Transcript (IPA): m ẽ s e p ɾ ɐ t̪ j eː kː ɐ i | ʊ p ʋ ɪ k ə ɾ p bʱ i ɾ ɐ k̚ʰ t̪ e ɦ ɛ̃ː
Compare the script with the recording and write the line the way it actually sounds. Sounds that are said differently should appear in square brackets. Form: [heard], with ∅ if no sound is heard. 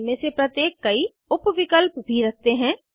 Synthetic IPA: m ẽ s e p ɾ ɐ t̪ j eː kː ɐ i | ʊ p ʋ ɪ k ə [l] p bʱ i ɾ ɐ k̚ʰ t̪ e ɦ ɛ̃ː